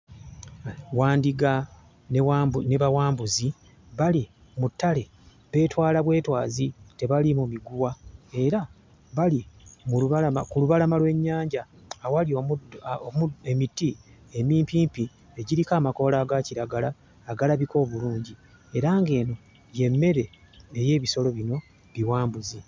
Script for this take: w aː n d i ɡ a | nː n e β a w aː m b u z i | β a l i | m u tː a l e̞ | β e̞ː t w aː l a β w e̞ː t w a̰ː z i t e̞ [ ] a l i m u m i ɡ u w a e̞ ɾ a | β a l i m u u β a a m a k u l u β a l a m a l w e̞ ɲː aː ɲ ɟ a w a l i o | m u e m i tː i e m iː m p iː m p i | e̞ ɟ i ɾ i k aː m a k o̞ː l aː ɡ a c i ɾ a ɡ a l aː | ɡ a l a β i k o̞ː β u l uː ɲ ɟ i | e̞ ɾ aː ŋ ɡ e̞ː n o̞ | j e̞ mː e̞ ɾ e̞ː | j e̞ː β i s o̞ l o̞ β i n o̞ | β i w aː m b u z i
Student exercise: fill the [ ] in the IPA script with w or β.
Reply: β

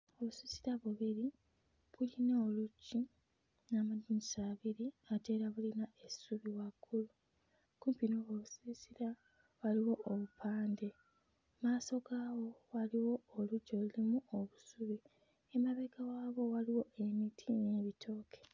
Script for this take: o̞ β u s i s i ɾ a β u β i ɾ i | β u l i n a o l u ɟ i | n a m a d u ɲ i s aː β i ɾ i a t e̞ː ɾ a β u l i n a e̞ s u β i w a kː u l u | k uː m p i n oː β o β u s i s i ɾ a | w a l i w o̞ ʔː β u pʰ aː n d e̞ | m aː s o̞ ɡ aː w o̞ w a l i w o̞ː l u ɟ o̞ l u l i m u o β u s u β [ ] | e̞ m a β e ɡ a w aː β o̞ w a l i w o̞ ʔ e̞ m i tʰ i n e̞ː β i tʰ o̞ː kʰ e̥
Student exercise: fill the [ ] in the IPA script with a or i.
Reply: i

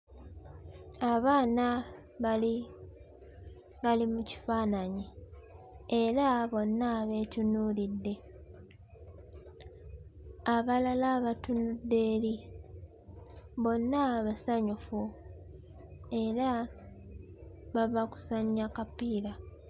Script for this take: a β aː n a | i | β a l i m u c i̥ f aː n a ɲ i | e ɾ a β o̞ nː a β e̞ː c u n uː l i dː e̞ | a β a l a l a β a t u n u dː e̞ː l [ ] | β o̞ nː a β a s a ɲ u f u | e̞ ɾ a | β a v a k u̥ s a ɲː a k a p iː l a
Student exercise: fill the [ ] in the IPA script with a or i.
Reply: i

